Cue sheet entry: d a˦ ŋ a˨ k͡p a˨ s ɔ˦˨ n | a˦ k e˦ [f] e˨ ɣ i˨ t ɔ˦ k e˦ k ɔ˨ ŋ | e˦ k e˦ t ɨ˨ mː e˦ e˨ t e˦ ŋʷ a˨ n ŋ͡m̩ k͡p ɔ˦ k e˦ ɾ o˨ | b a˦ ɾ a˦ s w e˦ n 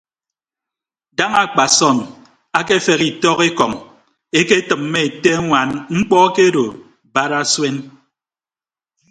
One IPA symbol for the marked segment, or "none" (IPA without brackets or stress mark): f